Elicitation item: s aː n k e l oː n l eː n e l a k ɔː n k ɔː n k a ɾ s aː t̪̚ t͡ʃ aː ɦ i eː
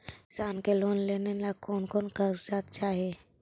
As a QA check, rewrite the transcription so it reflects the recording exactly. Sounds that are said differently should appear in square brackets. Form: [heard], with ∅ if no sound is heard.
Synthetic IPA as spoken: s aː n k e l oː n l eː n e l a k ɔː n k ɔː n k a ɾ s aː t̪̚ t͡ʃ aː ɦ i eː